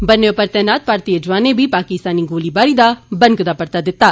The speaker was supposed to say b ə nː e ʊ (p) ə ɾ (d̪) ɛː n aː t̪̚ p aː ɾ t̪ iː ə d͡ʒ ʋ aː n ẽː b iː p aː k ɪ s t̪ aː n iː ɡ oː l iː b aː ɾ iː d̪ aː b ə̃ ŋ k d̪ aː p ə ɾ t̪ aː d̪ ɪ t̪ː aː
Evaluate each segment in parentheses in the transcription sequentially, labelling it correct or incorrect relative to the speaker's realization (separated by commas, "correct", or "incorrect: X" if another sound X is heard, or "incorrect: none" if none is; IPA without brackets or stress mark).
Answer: correct, incorrect: t̪